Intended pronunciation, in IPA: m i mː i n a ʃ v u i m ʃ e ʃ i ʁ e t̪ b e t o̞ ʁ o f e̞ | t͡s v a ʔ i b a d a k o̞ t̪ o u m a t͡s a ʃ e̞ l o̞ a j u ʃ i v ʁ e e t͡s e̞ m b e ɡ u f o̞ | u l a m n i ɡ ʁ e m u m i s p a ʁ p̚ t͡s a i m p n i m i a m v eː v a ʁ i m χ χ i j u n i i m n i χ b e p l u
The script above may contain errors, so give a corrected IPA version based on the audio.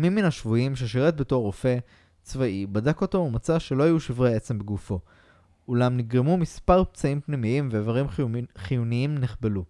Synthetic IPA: m i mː i n a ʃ v u i m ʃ e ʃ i ʁ e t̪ b e t o̞ ʁ o f e̞ | t͡s v a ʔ i b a d a k o̞ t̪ o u m a t͡s a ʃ e̞ l o̞ a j u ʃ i v ʁ e e t͡s e̞ m b e ɡ u f o̞ | u l a m n i ɡ ʁ e m u m i s p a ʁ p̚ t͡s a i m p n i m i i m v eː v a ʁ i m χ χ i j u n i i m n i χ b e l u